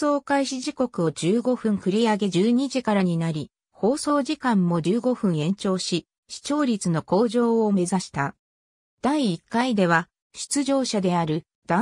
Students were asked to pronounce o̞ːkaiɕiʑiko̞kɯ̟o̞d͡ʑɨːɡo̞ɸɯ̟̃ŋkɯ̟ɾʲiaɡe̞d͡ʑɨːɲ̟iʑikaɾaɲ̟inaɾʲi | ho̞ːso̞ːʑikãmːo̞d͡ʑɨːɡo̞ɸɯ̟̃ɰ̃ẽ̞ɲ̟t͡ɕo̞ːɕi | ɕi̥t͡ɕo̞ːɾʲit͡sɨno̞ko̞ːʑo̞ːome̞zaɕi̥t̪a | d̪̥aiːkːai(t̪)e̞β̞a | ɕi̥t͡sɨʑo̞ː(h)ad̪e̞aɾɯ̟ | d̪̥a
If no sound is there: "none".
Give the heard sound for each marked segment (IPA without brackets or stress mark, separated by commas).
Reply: d̪, ɕ